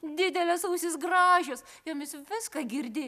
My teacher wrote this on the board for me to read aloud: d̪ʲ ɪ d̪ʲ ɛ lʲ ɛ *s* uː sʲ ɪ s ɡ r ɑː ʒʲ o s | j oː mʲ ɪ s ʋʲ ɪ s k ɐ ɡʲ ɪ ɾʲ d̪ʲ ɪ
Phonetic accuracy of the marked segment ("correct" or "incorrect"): correct